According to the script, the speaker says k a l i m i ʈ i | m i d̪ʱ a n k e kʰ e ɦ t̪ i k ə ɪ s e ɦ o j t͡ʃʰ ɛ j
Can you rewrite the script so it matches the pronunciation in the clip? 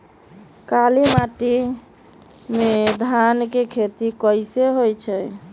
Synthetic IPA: k a l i m a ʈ i | m e d̪ʱ a n k e kʰ e t̪ i k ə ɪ s e ɦ o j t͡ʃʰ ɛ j